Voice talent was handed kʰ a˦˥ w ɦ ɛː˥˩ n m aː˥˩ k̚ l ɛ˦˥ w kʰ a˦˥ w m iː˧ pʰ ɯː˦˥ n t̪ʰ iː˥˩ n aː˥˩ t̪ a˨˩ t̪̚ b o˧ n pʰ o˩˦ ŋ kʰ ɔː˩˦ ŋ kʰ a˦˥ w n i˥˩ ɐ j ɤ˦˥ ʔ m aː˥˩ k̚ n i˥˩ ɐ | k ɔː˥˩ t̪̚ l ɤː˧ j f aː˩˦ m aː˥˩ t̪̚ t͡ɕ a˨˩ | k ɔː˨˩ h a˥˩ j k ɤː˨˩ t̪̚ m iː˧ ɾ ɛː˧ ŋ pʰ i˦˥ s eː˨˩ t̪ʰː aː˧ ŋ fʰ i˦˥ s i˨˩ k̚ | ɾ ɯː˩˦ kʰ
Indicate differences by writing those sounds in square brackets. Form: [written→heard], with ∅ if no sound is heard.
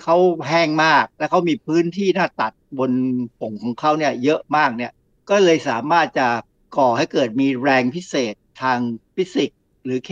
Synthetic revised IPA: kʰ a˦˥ w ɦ ɛː˥˩ [n→ŋ] m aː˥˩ k̚ l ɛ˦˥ w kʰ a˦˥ w m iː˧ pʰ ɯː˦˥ n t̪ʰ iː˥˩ n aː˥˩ t̪ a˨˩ t̪̚ b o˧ n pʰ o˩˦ ŋ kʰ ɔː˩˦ ŋ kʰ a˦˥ w n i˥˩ ɐ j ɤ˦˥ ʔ m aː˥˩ k̚ n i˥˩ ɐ | k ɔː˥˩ [t̪̚→∅] l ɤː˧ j [f→s] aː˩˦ m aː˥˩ t̪̚ t͡ɕ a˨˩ | k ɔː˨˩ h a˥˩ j k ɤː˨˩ t̪̚ m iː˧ ɾ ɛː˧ ŋ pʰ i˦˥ s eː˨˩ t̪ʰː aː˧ ŋ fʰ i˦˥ s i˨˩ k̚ | ɾ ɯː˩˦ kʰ